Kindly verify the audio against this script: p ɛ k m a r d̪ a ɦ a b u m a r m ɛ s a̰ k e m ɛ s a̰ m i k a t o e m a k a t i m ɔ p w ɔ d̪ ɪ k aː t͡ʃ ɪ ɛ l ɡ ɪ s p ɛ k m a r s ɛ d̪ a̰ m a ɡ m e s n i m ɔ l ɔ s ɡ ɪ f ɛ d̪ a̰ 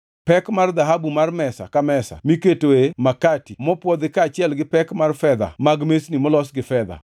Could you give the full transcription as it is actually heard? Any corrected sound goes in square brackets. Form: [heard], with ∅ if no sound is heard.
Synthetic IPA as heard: p ɛ k m a r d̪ a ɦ a b u m a r m ɛ s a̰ k [a] m ɛ s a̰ m i k [e] t o e m a k a t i m ɔ p w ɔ d̪ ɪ k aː t͡ʃ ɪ ɛ l ɡ ɪ [∅] p ɛ k m a r [f] ɛ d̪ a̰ m a ɡ m e s n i m ɔ l ɔ s ɡ ɪ f ɛ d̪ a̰

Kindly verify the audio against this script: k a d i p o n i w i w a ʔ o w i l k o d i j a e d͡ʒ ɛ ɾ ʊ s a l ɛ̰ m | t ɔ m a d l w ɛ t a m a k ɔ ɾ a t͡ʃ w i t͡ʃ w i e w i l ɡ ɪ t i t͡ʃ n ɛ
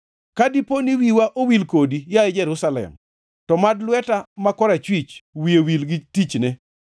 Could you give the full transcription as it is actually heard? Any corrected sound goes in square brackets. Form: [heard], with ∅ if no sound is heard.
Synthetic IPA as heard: k a d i p o n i w i w a ʔ o w i l k o d i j a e d͡ʒ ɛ ɾ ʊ s a l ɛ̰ m | t ɔ m a d l w ɛ t a m a k ɔ ɾ a t͡ʃ w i t͡ʃ w i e w i l ɡ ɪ t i t͡ʃ n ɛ

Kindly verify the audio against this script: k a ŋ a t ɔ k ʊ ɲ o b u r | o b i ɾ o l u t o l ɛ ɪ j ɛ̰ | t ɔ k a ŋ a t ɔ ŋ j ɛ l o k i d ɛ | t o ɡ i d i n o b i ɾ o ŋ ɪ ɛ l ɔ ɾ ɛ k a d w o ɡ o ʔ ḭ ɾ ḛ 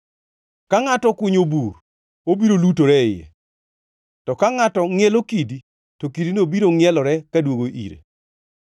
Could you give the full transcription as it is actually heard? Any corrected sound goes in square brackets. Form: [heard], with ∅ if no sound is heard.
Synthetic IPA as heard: k a ŋ a t ɔ k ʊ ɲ o b u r | o b i ɾ o l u t o [ɾ] ɛ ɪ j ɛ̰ | t ɔ k a ŋ a t ɔ ŋ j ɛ l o k i d [i] | t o [k] i d i n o b i ɾ o ŋ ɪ ɛ l ɔ ɾ ɛ k a d w o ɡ o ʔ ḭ ɾ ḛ

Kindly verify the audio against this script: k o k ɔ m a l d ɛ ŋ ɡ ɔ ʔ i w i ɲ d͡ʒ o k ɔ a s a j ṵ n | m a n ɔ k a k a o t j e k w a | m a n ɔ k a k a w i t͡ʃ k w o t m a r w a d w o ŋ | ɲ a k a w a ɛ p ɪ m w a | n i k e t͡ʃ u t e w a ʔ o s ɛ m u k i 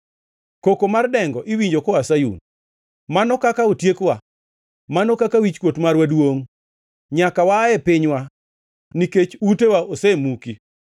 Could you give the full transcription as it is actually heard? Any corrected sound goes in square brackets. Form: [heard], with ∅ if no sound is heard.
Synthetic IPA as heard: k o k [o] m a [r] d ɛ ŋ ɡ ɔ ʔ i w i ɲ d͡ʒ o k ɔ a s a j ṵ n | m a n ɔ k a k a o t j e k w a | m a n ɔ k a k a w i t͡ʃ k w o t m a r w a d w o ŋ | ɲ a k a w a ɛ p ɪ [ɲ] w a | n i k e t͡ʃ u t e w a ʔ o s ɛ m u k i

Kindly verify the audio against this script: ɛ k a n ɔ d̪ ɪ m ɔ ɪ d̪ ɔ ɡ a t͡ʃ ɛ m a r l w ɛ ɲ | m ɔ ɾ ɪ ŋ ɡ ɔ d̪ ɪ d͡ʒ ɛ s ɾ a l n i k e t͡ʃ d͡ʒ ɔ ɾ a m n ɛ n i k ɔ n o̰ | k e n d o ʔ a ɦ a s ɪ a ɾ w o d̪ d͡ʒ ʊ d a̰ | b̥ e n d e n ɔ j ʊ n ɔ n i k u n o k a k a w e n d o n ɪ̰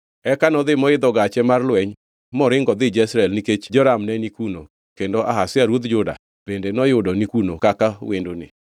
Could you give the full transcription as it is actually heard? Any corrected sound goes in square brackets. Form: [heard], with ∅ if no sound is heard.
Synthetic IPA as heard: ɛ k a n ɔ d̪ ɪ m ɔ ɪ d̪ ɔ ɡ a t͡ʃ ɛ m a r l w ɛ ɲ | m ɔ ɾ ɪ ŋ ɡ ɔ d̪ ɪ d͡ʒ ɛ s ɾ [ɛ] l n i k e t͡ʃ d͡ʒ ɔ ɾ a m n ɛ n i k [u] n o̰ | k e n d o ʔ a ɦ a s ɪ a ɾ w o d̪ d͡ʒ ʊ d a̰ | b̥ e n d e n ɔ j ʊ [d] ɔ n i k u n o k a k a w e n d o n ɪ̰

